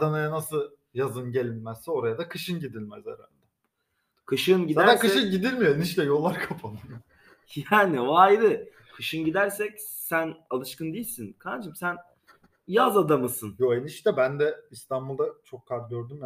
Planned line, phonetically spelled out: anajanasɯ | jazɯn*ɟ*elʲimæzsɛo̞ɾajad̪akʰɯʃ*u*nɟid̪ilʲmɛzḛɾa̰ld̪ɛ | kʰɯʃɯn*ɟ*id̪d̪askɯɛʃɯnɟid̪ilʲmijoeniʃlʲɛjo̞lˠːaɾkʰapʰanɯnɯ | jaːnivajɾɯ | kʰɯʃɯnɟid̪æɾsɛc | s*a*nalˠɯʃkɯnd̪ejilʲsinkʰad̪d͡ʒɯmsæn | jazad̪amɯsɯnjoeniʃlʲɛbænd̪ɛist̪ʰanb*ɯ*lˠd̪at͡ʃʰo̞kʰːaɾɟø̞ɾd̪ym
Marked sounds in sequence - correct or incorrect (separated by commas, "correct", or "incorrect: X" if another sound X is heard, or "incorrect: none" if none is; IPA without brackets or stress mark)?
correct, incorrect: ɯ, correct, incorrect: æ, incorrect: u